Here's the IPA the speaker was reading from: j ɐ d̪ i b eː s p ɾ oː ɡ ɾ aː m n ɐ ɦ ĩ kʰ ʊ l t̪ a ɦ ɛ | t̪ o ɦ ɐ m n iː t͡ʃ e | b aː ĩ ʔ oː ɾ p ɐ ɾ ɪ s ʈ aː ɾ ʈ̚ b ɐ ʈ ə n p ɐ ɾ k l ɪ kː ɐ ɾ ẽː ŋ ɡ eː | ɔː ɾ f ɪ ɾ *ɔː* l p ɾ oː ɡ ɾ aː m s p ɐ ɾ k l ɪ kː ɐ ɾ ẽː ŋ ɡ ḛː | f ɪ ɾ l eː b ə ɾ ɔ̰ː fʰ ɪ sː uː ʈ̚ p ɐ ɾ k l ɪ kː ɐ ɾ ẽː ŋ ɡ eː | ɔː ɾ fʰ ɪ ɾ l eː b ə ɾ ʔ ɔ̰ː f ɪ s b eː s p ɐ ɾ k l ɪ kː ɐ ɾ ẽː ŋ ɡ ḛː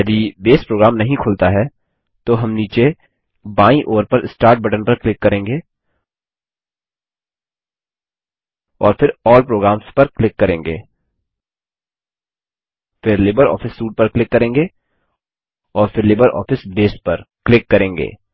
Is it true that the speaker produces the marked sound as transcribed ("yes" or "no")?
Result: yes